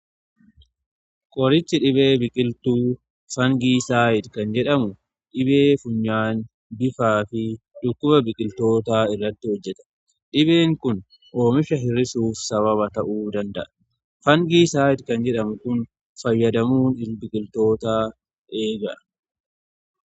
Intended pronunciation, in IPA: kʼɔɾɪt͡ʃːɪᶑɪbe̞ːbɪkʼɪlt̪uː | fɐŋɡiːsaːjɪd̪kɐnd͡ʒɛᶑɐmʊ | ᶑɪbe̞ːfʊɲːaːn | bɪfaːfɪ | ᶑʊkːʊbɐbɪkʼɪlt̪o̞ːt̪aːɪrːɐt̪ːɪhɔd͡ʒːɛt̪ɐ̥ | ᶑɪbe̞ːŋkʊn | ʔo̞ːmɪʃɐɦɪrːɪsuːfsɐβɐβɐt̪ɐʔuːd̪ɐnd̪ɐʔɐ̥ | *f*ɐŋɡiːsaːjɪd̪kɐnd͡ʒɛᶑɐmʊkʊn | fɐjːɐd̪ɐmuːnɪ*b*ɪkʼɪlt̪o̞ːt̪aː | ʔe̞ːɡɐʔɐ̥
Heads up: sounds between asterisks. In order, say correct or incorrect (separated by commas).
correct, correct